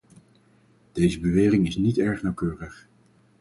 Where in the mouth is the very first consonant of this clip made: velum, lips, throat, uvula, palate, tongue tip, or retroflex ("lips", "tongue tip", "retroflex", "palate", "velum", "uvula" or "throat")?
tongue tip